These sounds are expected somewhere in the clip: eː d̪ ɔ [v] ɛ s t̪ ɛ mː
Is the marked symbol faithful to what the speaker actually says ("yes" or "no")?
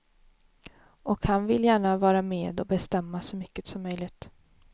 no